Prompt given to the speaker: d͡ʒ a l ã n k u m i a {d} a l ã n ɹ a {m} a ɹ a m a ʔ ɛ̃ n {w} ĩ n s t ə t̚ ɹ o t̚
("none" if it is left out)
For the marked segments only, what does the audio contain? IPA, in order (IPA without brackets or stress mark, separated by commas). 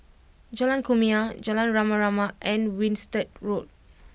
d͡ʒ, m, w